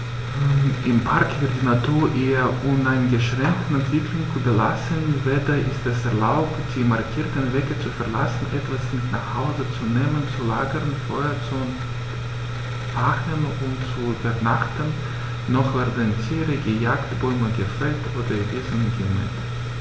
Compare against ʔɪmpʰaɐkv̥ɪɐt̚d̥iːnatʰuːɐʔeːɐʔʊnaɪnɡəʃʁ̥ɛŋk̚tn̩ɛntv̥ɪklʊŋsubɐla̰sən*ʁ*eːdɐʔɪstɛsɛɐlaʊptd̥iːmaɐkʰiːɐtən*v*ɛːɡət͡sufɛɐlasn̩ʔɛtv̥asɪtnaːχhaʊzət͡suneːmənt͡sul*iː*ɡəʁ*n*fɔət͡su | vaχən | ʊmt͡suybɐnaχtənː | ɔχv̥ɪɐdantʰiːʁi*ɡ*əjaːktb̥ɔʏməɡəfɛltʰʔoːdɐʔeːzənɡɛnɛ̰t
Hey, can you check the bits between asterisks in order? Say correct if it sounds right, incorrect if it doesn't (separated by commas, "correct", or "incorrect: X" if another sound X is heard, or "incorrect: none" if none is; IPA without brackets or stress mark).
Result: incorrect: v, correct, incorrect: aː, correct, correct